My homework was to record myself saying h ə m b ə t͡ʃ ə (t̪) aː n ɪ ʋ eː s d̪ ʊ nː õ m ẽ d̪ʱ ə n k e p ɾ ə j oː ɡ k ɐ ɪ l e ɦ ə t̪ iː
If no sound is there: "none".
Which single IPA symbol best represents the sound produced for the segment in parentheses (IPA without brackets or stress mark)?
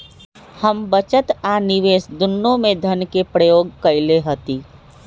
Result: t̪